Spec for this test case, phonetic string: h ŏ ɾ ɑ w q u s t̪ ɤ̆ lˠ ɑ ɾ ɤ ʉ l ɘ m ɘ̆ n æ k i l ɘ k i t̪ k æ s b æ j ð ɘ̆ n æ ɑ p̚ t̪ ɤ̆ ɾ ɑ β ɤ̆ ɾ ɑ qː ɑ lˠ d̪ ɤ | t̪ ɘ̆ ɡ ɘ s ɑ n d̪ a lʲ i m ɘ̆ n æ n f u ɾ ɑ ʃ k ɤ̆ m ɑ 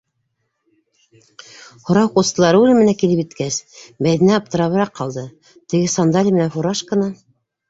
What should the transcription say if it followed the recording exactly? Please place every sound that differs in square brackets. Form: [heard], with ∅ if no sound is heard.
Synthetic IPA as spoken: h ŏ ɾ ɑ w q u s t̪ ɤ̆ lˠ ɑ ɾ ɤ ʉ l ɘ m ɘ̆ n æ k i l ɘ [p] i t̪ k æ s b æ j ð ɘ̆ n æ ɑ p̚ t̪ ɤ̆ ɾ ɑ β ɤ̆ ɾ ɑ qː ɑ lˠ d̪ ɤ | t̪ ɘ̆ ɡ ɘ s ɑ n d̪ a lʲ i m ɘ̆ n æ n f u ɾ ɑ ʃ k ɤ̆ [n] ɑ

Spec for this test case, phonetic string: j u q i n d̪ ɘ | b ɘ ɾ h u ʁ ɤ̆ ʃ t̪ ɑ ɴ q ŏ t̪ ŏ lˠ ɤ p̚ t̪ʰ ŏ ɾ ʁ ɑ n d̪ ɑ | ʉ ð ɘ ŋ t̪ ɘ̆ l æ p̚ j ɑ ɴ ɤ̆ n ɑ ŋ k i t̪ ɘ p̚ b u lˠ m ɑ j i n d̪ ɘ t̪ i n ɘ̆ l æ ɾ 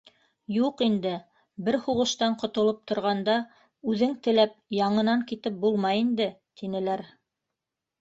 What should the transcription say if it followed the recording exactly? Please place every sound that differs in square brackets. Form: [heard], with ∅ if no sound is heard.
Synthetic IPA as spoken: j u q i n d̪ ɘ | b ɘ ɾ h u ʁ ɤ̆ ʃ t̪ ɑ ɴ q ŏ t̪ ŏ lˠ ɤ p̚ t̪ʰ ŏ ɾ ʁ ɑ n d̪ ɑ | ʉ ð ɘ ŋ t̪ ɘ̆ l æ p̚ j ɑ ɴ ɤ̆ n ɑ ŋ k i t̪ ɘ p̚ b u lˠ m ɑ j i n d̪ ɘ t̪ i n ɘ̆ l æ ɾ

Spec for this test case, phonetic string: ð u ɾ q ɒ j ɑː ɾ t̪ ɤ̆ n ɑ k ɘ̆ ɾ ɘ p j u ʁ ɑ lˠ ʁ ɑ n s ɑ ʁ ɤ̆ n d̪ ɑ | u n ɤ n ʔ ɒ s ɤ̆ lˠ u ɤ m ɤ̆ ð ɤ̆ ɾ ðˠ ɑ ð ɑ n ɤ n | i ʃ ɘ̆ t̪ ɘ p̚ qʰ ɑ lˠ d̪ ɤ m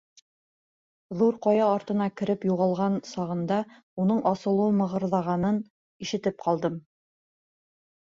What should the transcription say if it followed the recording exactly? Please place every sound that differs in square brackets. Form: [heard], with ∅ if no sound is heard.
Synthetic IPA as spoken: ð u ɾ q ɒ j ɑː ɾ t̪ ɤ̆ n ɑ k ɘ̆ ɾ ɘ p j u ʁ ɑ lˠ ʁ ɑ n s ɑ ʁ ɤ̆ n d̪ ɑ | u n ɤ [ɴ] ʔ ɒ s ɤ̆ lˠ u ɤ m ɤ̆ [ʁ] ɤ̆ ɾ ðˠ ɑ [ʁ] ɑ n ɤ n | i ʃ ɘ̆ t̪ ɘ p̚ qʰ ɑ lˠ d̪ ɤ m

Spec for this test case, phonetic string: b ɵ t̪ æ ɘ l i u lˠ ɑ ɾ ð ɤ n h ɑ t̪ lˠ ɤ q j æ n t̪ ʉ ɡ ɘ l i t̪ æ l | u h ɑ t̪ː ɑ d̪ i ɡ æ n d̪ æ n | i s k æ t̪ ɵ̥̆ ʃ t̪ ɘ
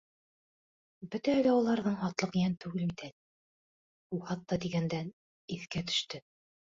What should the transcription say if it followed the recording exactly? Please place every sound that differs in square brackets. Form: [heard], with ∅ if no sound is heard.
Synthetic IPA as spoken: b ɵ t̪ æ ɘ l [æ] u lˠ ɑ ɾ ð ɤ [ɴ] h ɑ t̪ lˠ ɤ q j æ n t̪ ʉ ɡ ɘ l i t̪ æ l | u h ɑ t̪ː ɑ d̪ i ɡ æ n d̪ æ n | i [θ] k æ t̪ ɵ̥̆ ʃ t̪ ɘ

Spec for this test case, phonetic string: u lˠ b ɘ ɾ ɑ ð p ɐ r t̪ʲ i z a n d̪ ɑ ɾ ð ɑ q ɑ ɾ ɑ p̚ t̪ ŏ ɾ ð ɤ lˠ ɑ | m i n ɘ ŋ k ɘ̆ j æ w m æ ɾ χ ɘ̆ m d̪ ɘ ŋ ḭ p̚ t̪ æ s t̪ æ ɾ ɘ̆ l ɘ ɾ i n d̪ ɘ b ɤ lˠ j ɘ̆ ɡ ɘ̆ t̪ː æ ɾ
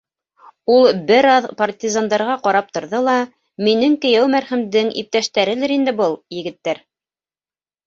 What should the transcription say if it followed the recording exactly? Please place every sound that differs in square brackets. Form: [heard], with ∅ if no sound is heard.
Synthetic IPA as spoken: u lˠ b ɘ ɾ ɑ ð p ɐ r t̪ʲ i z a n d̪ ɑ ɾ [ʁ] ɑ q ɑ ɾ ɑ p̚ t̪ ŏ ɾ ð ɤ lˠ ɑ | m i n ɘ ŋ k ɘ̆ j æ w m æ ɾ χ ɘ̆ m d̪ ɘ ŋ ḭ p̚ t̪ æ [ʃ] t̪ æ ɾ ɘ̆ l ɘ ɾ i n d̪ ɘ b ɤ lˠ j ɘ̆ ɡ ɘ̆ t̪ː æ ɾ

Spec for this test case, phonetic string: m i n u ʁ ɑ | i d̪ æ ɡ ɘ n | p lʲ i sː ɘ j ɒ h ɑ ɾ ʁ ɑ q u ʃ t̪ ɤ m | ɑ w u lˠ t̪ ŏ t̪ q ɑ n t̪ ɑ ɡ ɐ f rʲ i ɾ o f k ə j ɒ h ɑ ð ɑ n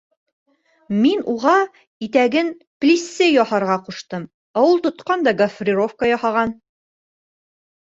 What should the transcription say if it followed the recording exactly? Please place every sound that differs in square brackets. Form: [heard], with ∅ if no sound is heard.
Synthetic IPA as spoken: m i n u ʁ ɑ | i [t̪] æ ɡ ɘ n | p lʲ i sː ɘ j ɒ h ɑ ɾ ʁ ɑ q u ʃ t̪ ɤ m | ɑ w u lˠ t̪ ŏ t̪ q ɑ n [d̪] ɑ ɡ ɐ f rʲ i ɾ o f k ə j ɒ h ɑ [ʁ] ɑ n

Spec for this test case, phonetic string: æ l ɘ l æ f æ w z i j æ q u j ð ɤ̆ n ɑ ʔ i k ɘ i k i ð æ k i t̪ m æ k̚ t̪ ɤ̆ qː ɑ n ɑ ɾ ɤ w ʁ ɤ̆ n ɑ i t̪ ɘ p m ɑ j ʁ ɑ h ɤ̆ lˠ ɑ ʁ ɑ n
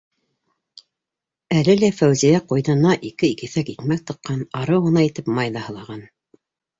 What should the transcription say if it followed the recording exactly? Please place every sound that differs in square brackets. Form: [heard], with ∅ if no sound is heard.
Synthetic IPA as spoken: æ l ɘ l æ f æ w z i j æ q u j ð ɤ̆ n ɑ ʔ i k ɘ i k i [θ] æ k i t̪ m æ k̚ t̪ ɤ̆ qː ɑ n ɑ ɾ ɤ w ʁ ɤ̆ n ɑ i t̪ ɘ p m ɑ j [ð] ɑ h ɤ̆ lˠ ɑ ʁ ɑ n

